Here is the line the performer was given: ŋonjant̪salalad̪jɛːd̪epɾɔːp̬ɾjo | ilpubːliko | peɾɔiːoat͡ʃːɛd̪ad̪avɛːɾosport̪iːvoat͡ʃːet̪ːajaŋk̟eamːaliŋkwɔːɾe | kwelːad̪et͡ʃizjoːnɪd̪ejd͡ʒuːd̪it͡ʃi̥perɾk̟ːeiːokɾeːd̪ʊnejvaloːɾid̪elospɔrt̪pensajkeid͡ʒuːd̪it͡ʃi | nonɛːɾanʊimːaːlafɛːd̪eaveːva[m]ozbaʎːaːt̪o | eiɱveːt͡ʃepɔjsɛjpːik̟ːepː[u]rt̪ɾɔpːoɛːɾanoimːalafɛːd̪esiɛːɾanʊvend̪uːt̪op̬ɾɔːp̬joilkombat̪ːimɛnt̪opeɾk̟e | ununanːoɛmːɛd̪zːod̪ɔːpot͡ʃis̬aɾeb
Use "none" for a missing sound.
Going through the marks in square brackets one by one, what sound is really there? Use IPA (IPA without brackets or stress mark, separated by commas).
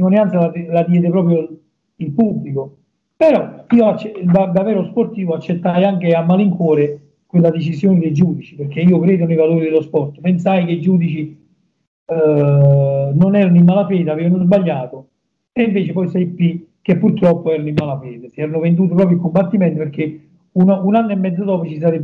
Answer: n, u